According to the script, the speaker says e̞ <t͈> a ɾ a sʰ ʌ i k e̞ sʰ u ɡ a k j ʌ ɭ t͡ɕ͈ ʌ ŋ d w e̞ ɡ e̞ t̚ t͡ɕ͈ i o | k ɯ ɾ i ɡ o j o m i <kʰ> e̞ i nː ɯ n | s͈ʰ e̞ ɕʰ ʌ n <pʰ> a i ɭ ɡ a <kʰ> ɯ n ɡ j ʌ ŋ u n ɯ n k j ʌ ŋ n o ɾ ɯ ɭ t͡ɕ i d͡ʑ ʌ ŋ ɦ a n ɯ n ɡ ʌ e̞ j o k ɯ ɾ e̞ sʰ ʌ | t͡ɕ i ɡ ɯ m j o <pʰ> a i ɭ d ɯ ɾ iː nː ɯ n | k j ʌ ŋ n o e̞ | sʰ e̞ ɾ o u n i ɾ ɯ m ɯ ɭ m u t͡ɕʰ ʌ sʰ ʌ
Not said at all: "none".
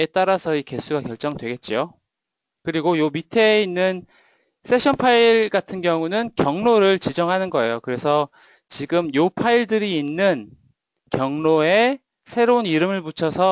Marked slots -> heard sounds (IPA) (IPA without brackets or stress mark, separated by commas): t͈, tʰ, pʰ, tʰ, pʰ